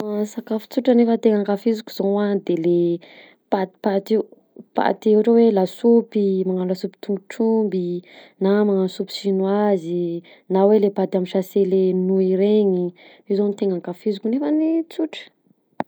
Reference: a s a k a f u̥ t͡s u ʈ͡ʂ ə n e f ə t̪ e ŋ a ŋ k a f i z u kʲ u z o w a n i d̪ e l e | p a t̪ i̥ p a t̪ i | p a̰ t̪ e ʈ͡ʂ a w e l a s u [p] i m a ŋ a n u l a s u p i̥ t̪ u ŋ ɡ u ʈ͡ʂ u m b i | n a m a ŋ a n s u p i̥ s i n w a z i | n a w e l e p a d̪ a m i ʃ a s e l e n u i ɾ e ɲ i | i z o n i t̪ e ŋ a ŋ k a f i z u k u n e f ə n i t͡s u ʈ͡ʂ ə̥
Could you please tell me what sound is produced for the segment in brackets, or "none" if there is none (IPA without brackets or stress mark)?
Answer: p